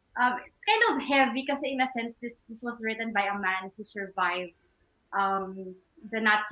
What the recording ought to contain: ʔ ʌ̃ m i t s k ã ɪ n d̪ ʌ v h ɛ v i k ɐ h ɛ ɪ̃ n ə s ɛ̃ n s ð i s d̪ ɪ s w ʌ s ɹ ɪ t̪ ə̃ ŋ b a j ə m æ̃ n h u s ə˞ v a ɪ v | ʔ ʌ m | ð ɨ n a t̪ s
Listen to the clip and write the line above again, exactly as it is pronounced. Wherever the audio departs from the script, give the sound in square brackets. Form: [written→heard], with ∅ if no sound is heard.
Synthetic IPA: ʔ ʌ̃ m [i→ɪ] t s k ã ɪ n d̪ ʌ v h ɛ v i k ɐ [h→s] ɛ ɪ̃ n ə s ɛ̃ n s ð [i→ɪ] s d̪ ɪ s w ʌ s ɹ ɪ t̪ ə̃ [ŋ→n] b a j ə m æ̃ n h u s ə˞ v a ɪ v | ʔ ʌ m | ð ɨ n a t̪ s